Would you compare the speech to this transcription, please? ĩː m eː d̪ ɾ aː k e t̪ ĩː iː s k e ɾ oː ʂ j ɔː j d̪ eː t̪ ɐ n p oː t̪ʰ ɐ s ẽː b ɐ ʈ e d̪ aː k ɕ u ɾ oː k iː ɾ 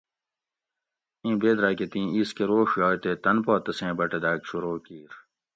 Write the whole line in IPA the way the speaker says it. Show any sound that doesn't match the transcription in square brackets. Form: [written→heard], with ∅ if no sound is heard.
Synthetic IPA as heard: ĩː [m→b] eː d̪ ɾ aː k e t̪ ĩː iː s k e ɾ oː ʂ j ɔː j [d̪→t̪] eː t̪ ɐ n p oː [t̪ʰ→t̪] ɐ s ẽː b ɐ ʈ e d̪ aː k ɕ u ɾ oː k iː ɾ

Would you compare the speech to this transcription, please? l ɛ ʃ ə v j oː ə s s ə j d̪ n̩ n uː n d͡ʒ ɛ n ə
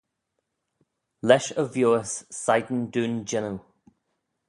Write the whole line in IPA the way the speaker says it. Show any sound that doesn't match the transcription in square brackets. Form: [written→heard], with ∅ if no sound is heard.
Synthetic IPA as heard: l ɛ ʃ ə v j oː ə s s [ə→a] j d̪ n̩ [n→d] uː n d͡ʒ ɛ n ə

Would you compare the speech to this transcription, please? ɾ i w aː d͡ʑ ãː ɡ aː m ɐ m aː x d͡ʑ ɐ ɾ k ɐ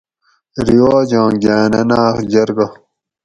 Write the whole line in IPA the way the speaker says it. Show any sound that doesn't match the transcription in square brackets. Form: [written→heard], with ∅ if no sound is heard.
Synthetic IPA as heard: ɾ i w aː d͡ʑ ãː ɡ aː [m→n] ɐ [m→n] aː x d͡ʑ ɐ ɾ [k→ɡ] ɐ

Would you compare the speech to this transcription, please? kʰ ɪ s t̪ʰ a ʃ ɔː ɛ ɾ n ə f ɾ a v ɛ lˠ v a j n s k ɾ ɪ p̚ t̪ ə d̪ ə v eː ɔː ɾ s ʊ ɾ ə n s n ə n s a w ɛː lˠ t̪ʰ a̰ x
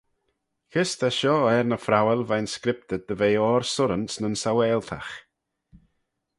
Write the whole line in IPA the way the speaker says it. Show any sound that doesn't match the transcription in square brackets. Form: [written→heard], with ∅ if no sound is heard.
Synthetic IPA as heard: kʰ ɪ s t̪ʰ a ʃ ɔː ɛ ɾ n ə f ɾ a [v→w] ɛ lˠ v a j n s k ɾ ɪ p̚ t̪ ə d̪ ə v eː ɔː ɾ s ʊ ɾ ə n s n ə n s a w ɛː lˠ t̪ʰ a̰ x

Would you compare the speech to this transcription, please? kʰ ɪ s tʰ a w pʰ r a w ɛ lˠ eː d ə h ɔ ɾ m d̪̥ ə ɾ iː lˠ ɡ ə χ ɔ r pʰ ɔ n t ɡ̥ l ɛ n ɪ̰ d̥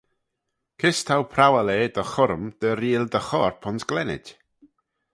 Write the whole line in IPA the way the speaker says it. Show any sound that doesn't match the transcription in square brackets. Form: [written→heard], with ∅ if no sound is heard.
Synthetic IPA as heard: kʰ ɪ s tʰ a w pʰ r a w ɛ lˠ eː d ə [h→χ] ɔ ɾ m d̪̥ ə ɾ iː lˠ [ɡ→d] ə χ ɔ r pʰ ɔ n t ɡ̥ l ɛ n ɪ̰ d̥

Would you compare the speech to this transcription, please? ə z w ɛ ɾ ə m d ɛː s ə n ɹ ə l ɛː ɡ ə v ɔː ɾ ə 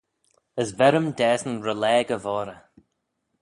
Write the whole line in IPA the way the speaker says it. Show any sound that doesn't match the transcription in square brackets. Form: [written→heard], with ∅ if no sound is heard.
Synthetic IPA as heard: ə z [w→v] ɛ ɾ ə m d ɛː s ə n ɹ ə l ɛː ɡ ə v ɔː ɾ ə

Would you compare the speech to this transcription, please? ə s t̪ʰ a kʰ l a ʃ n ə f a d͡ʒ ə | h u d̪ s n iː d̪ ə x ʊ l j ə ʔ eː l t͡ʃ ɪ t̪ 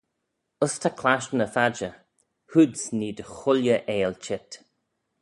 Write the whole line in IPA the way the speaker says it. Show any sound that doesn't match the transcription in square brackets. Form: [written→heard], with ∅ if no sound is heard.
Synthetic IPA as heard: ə s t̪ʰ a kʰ l a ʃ n ə f a d͡ʒ ə | h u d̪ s n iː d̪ ə x ʊ l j ə ʔ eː l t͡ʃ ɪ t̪

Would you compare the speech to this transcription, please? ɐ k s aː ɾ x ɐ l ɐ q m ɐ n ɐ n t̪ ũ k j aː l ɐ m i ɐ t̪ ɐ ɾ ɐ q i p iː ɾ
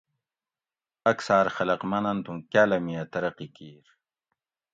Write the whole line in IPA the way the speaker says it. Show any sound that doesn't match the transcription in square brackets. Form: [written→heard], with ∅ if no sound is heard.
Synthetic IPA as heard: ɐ k s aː ɾ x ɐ l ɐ q m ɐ n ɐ n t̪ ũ k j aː l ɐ m i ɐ t̪ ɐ ɾ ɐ q i [p→k] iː ɾ

